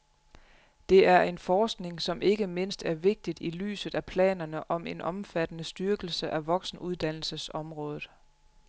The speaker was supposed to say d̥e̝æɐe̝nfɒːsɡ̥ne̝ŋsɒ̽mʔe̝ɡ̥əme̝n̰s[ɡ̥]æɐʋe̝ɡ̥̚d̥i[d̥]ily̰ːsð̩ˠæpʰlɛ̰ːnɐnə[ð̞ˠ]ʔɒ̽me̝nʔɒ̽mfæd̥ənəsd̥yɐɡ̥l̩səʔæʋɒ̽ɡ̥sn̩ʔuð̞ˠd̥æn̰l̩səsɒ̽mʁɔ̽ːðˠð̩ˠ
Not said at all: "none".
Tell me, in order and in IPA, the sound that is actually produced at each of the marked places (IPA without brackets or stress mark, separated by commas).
d̥, d̥, none